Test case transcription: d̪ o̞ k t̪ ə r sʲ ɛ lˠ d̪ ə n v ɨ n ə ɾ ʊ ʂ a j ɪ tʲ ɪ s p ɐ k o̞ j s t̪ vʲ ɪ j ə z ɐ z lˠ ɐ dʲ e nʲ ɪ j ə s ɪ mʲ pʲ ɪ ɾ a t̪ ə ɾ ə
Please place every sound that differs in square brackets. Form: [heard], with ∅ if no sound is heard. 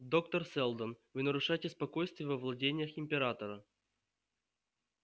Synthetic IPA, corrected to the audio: d̪ o̞ k t̪ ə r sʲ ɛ lˠ d̪ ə n v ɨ n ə ɾ ʊ ʂ a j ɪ tʲ ɪ s p ɐ k o̞ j s t̪ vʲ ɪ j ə [v] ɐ [v] lˠ ɐ dʲ e nʲ ɪ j ə [x] ɪ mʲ pʲ ɪ ɾ a t̪ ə ɾ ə